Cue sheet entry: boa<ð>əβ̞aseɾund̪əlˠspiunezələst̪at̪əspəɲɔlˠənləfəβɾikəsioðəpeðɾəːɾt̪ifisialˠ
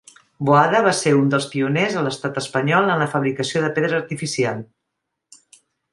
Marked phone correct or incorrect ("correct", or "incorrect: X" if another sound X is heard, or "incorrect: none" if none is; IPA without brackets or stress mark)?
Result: correct